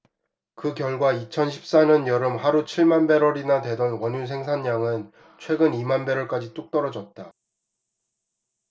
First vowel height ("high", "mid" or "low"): high